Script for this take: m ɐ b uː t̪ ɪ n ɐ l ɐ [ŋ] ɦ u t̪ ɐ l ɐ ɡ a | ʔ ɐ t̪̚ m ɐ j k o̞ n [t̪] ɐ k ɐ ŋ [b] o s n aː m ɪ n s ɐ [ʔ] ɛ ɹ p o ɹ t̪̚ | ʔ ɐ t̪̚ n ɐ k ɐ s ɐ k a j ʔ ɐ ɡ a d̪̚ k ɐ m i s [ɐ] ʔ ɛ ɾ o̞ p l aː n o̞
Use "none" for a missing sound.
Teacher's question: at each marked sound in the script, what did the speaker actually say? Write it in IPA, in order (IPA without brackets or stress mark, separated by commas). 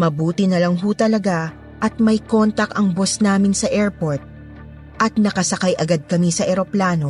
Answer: ŋ, t̪, b, ʔ, ɐ